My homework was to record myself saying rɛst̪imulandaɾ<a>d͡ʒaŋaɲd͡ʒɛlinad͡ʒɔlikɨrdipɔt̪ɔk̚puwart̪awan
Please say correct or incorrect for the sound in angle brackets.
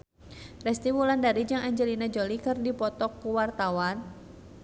incorrect